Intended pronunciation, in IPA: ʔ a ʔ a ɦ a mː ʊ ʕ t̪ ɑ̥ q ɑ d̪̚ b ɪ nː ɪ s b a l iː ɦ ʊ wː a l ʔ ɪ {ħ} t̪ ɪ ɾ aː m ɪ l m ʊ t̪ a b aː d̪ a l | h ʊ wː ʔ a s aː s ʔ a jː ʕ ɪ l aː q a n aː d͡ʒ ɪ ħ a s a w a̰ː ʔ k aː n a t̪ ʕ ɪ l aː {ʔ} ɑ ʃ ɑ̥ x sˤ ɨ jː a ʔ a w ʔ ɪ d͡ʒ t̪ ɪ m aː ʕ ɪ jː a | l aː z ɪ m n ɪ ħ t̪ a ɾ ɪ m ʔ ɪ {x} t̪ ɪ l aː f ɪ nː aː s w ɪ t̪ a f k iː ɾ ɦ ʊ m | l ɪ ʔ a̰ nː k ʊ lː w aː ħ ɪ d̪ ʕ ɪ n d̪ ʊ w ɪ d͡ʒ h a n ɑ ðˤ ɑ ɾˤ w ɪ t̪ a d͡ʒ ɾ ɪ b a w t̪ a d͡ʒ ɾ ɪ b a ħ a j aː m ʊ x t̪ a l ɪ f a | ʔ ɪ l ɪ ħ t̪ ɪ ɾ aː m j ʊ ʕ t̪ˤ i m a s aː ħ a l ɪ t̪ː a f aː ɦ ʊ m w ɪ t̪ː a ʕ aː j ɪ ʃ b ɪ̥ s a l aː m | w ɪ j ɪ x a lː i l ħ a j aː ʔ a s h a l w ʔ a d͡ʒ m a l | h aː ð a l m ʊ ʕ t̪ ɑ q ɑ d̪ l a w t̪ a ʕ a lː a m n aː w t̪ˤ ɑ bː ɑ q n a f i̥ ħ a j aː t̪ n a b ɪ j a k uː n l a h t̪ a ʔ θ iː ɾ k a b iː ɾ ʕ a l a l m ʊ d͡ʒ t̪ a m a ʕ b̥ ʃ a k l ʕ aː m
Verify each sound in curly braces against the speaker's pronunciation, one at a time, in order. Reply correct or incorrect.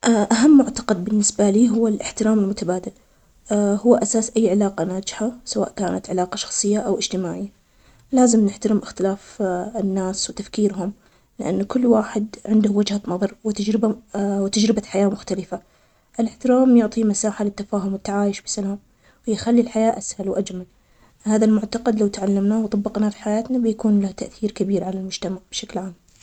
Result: correct, incorrect: q, correct

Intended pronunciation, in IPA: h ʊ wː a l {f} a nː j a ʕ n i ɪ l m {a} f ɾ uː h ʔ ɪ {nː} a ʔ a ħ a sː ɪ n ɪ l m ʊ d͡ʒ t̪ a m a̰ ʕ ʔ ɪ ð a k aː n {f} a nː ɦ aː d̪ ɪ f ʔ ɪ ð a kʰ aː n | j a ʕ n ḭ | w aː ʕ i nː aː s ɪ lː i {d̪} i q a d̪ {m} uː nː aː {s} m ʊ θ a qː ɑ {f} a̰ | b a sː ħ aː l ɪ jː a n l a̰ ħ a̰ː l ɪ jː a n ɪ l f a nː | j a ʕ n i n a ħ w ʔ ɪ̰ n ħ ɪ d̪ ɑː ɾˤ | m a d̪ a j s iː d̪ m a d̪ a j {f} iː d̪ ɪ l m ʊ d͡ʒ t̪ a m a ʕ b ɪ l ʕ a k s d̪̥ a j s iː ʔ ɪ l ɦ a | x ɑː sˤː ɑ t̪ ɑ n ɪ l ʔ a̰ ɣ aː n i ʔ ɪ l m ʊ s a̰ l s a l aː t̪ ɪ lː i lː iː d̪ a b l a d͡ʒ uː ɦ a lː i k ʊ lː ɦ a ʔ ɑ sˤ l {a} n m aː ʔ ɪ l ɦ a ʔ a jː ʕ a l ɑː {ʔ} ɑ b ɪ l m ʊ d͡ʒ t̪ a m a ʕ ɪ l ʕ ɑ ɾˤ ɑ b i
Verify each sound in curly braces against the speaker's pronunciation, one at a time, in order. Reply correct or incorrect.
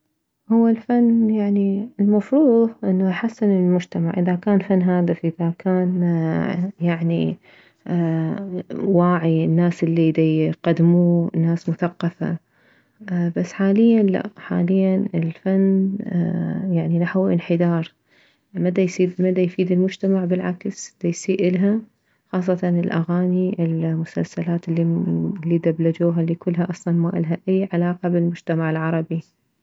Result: correct, correct, correct, correct, correct, correct, correct, correct, correct, incorrect: ɑ, incorrect: q

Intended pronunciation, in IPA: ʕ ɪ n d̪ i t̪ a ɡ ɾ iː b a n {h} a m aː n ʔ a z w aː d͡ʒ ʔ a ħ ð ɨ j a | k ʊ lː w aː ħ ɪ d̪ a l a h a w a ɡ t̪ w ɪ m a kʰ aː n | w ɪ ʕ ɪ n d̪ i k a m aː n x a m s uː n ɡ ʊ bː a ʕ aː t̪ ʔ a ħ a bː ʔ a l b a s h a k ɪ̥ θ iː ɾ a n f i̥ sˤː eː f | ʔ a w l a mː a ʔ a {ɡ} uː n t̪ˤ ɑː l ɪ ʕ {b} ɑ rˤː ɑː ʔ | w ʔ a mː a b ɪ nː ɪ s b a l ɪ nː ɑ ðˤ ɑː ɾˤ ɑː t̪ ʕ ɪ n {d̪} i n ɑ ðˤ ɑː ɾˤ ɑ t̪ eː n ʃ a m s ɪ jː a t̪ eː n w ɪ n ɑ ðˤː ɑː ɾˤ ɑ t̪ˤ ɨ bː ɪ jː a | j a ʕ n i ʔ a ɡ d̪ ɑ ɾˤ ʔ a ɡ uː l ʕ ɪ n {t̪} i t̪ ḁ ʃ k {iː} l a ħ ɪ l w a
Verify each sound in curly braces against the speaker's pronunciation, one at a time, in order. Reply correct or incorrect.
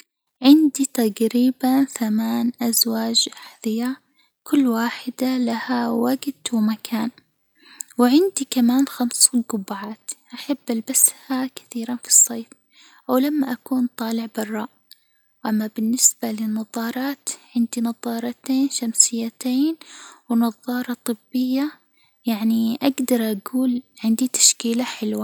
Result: incorrect: θ, incorrect: k, correct, correct, incorrect: d̪, correct

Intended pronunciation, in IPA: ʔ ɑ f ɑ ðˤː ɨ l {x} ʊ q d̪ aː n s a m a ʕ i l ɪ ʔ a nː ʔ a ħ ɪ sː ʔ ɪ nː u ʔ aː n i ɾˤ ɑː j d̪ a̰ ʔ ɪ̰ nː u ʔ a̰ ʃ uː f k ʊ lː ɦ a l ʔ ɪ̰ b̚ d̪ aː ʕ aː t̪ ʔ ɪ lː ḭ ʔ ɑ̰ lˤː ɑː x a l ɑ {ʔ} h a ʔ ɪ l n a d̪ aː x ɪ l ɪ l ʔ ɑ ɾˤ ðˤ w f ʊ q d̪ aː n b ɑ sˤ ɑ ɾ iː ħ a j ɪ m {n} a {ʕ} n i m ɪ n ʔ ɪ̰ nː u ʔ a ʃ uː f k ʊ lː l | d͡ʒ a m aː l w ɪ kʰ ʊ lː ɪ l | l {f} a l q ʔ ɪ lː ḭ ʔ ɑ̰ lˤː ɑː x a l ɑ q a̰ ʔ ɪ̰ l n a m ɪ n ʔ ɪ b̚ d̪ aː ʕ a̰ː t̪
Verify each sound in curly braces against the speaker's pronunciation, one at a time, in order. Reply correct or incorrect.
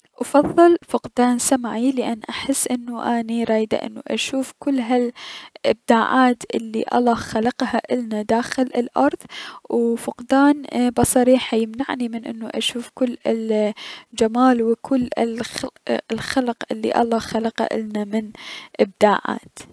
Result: incorrect: f, incorrect: q, correct, correct, incorrect: x

